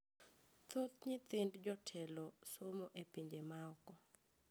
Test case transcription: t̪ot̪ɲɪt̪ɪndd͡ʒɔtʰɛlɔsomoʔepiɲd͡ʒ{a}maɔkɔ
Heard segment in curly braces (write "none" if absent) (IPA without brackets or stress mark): e